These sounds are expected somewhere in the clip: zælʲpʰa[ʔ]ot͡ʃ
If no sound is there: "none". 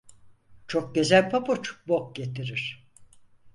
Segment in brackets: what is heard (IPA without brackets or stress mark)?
p